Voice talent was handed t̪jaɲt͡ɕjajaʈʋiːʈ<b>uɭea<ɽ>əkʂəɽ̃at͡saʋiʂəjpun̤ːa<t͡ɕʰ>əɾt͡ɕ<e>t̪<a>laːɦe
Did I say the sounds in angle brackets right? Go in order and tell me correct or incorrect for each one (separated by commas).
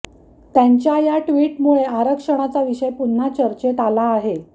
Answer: incorrect, incorrect, incorrect, correct, correct